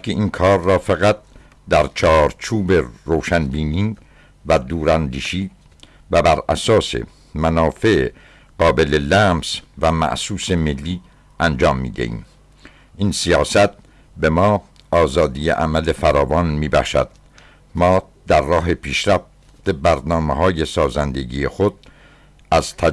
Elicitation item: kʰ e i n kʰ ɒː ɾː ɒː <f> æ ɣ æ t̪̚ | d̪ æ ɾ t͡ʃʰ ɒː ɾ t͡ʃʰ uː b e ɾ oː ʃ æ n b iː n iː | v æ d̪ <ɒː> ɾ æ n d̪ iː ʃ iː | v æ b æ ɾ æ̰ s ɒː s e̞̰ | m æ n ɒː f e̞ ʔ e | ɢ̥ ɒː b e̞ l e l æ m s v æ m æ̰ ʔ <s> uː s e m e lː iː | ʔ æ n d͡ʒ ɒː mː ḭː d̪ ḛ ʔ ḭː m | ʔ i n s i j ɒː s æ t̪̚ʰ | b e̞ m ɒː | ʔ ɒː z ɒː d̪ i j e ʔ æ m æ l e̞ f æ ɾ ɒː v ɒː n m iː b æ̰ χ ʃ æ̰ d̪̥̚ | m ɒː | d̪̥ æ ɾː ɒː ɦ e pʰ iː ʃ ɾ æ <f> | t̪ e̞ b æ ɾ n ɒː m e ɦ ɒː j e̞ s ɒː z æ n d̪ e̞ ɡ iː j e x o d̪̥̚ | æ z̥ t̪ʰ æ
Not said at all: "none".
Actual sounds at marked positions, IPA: f, uː, s, f

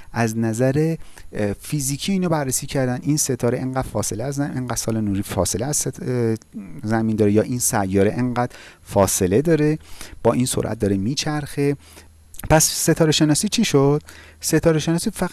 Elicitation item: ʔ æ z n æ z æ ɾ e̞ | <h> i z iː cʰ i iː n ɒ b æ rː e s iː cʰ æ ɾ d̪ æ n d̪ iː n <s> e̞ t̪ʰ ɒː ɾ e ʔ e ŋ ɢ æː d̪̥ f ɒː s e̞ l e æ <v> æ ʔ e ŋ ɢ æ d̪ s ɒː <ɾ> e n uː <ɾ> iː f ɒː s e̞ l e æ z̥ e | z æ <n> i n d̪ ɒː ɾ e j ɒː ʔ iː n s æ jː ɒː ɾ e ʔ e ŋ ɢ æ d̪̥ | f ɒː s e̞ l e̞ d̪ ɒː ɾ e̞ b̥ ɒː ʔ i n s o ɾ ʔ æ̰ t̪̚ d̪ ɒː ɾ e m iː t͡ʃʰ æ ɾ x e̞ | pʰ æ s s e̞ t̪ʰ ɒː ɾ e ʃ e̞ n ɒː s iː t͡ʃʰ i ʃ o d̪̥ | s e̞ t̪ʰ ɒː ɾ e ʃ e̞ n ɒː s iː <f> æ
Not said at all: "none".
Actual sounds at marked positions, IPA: f, s, z, l, ɾ, m, f

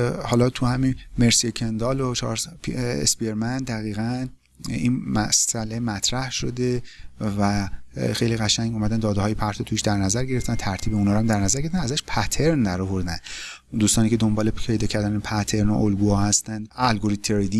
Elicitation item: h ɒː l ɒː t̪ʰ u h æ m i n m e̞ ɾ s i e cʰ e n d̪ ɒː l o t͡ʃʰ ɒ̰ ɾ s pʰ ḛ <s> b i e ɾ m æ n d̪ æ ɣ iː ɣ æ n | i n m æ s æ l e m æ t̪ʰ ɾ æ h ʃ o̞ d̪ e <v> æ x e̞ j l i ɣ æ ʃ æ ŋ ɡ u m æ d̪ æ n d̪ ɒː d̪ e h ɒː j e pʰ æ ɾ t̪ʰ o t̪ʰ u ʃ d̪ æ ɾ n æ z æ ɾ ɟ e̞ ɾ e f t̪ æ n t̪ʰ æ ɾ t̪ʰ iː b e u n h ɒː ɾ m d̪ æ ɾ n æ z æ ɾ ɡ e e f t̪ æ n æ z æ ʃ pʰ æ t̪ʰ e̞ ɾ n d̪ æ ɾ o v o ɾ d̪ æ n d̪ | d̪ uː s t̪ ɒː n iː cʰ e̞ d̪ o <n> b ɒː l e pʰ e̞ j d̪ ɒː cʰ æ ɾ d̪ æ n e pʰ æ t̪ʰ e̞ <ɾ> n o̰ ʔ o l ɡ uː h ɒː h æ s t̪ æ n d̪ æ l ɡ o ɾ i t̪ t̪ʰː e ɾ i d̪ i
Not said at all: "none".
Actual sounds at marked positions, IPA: s, v, m, ɾ

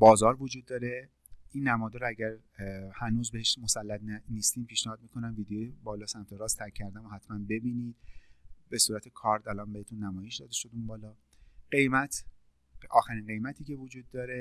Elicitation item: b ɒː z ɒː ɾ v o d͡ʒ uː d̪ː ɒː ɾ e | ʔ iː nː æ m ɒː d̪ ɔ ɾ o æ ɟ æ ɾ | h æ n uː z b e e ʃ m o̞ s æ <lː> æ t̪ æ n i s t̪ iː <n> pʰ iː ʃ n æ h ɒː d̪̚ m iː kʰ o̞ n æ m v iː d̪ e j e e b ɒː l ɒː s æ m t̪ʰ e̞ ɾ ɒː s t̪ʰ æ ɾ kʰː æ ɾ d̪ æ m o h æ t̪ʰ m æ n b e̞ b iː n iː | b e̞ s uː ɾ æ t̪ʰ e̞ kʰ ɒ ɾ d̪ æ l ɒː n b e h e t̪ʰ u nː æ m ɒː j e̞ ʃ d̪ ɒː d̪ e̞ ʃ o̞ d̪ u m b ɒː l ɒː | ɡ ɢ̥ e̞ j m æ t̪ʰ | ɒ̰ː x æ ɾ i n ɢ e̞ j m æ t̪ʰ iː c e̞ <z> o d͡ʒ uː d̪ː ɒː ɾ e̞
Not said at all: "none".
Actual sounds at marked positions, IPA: lː, m, v

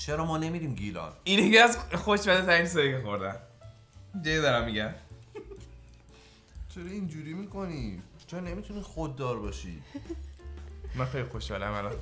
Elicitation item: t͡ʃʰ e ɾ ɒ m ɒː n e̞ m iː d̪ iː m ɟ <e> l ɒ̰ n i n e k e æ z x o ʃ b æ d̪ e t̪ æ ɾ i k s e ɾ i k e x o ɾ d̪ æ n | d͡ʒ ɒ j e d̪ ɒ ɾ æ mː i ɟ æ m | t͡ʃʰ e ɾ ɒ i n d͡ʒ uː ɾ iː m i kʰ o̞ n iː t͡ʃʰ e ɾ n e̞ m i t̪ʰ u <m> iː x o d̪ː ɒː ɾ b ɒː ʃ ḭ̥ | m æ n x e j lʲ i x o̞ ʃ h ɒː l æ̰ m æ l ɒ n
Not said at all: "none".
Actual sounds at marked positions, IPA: i, n

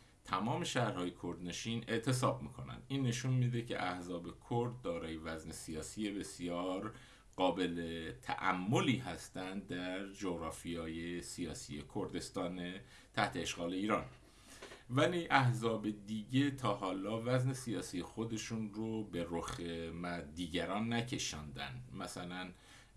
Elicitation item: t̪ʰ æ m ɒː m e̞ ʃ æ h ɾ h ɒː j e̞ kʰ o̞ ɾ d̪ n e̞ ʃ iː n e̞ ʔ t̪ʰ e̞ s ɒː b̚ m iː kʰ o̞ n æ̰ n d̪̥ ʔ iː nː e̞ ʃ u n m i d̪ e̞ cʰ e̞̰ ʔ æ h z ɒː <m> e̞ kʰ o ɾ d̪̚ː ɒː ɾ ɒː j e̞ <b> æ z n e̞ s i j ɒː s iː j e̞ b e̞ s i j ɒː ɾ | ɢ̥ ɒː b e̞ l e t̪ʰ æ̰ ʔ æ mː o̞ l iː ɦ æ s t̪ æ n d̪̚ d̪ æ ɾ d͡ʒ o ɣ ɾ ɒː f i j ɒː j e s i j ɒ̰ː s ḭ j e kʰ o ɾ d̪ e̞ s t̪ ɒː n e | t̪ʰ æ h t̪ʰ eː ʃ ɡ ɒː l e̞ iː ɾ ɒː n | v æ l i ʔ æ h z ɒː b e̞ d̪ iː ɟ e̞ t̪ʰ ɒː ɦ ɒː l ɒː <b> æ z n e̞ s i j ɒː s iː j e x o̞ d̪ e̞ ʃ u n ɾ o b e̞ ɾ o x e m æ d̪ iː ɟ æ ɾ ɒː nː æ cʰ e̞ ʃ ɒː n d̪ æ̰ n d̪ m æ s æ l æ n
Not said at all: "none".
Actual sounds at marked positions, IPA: b, v, v

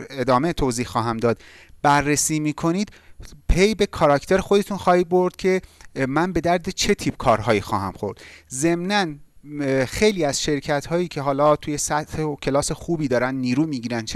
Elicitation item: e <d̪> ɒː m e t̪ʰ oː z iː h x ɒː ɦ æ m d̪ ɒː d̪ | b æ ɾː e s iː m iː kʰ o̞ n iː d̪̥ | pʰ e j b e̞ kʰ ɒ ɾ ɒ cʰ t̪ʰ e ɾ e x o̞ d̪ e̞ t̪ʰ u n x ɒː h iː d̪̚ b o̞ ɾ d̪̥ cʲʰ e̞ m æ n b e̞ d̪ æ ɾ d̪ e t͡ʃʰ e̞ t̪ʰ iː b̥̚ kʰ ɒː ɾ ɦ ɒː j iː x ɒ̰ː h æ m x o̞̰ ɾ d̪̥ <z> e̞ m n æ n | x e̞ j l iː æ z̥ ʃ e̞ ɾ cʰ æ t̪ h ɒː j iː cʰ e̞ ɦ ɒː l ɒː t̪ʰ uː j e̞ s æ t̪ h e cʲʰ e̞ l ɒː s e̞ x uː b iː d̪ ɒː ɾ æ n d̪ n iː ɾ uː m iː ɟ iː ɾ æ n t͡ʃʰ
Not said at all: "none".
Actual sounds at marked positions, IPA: d̪, z

